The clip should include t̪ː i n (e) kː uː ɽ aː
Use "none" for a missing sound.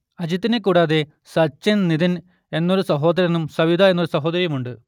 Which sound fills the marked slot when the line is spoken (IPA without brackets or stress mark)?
e